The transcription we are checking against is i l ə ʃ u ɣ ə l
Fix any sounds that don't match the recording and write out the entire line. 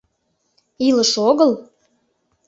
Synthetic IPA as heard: i l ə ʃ o ɣ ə l

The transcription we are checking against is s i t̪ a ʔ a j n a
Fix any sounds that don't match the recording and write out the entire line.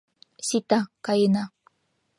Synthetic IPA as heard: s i t̪ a k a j n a

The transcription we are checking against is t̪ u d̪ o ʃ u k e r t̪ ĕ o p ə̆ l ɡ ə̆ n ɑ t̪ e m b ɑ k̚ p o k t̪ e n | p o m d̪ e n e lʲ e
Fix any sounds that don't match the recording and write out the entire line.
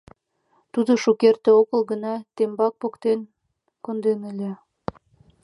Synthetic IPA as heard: t̪ u d̪ o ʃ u k e r t̪ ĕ o k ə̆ l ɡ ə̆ n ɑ t̪ e m b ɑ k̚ p o k t̪ e n | k o n d̪ e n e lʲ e

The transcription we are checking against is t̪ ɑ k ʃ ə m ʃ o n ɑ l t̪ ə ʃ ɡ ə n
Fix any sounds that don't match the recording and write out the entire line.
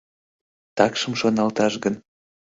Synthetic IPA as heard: t̪ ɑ k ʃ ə m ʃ o n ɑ l t̪ ɑ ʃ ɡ ə n

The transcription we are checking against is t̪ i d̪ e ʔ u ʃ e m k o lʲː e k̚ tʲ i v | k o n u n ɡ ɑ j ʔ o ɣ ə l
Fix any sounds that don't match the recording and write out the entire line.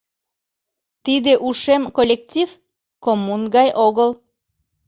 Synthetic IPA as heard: t̪ i d̪ e ʔ u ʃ e m k o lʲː e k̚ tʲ i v | k o m u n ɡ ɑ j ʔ o ɣ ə l

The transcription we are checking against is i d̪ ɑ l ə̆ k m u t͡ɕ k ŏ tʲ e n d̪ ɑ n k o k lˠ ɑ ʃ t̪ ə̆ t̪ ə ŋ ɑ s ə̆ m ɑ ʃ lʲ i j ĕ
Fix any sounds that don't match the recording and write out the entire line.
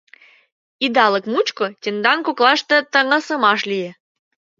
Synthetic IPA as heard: i d̪ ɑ l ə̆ k m u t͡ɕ k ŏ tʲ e n d̪ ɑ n k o k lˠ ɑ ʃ t̪ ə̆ t̪ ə ŋ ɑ s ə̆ m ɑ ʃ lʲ i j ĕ

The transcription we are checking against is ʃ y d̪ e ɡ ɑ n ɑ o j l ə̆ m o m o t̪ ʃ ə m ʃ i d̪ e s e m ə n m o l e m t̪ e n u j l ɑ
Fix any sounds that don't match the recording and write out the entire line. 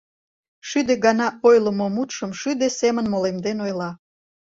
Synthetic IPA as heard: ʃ y d̪ e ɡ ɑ n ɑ o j l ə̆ m o m u t̪ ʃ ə m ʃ y d̪ e s e m ə n m o l e m d̪ e n o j l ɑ

